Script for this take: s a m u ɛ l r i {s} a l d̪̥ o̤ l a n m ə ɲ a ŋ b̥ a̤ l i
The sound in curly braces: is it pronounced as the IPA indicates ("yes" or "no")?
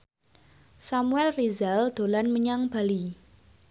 no